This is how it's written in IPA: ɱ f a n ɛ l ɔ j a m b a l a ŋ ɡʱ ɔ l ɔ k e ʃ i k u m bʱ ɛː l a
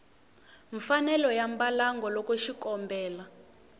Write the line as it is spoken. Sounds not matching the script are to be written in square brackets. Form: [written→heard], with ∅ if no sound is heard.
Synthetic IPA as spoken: ɱ f a n ɛ l ɔ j a m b a l a ŋ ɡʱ ɔ l ɔ k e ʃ i k [u→ɔ] m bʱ ɛː l a